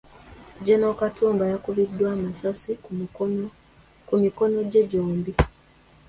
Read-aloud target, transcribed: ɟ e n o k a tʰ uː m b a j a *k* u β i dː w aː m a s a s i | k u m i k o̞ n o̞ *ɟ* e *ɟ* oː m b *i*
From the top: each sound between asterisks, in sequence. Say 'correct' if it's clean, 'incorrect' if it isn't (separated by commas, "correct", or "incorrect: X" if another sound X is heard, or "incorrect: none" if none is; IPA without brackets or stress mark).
correct, correct, correct, correct